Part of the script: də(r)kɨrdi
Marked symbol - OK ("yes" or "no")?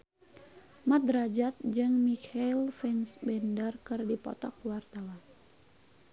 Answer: yes